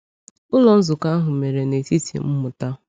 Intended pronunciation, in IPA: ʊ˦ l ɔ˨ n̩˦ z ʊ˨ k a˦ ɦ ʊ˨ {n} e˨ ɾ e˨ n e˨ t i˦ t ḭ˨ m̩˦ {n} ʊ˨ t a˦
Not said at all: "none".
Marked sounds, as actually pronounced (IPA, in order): m, m

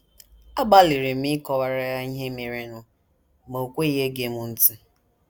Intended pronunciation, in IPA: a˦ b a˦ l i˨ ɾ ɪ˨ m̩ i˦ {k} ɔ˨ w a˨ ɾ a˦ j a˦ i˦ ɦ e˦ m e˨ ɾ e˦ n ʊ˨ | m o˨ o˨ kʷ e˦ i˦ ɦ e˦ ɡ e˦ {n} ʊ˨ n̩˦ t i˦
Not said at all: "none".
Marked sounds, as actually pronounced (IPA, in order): k, m

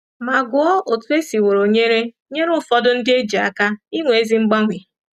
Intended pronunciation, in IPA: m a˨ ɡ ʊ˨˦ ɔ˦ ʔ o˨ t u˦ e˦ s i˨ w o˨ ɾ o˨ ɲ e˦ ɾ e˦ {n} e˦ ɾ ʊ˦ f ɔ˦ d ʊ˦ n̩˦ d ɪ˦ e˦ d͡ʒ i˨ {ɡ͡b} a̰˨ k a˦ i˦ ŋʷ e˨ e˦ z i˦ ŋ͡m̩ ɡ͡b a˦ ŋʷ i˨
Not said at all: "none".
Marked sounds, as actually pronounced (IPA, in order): ɲ, none

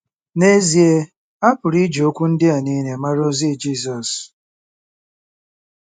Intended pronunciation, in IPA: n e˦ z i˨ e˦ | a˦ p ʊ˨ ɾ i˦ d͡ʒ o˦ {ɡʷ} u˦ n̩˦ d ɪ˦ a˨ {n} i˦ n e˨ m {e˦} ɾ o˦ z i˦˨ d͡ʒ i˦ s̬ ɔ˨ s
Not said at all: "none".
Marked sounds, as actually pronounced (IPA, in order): kʷ, n, a˦

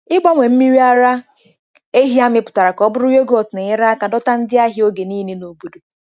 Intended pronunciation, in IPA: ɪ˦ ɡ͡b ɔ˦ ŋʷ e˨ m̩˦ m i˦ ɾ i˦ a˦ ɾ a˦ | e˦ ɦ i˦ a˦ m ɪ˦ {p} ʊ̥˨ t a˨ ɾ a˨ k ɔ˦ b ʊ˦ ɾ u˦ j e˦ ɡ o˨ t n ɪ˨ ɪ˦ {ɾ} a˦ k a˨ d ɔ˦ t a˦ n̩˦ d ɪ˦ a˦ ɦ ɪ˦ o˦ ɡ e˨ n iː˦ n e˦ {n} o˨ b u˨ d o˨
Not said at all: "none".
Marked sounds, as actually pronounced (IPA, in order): p, ɾ, n

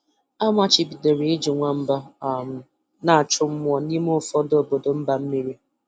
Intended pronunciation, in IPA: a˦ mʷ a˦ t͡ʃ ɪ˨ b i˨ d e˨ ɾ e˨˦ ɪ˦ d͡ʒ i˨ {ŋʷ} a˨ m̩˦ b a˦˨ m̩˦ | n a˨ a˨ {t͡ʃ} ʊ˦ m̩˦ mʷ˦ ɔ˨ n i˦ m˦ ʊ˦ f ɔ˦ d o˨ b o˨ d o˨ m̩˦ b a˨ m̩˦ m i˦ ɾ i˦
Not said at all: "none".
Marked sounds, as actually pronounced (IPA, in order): ŋʷ, t͡ʃ

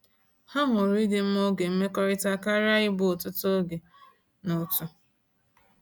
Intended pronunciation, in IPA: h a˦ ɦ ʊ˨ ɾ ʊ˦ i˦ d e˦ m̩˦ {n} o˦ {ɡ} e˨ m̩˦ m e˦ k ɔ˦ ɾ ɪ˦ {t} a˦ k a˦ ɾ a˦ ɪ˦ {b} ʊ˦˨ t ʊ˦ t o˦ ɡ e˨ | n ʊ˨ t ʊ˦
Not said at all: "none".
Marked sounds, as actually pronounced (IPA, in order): m, ɡ, t, b

